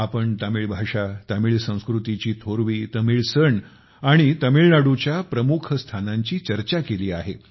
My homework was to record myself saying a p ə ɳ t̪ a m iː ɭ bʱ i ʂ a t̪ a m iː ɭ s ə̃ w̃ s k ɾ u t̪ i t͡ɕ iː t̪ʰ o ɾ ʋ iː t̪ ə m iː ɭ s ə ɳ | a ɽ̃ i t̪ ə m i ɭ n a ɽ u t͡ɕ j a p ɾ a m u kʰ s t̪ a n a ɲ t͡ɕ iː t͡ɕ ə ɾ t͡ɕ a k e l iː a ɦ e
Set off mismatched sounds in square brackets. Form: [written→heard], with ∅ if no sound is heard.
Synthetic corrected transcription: a p ə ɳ t̪ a m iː ɭ bʱ [i→a] ʂ a t̪ a m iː ɭ s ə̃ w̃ s k ɾ u t̪ i t͡ɕ iː t̪ʰ o ɾ ʋ iː t̪ ə m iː ɭ s ə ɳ | a ɽ̃ i t̪ ə m i ɭ n a ɽ u t͡ɕ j a p ɾ [a→ə] m u kʰ s [t̪→t̪ʰ] a n a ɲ t͡ɕ iː t͡ɕ ə ɾ t͡ɕ a k e l iː a ɦ e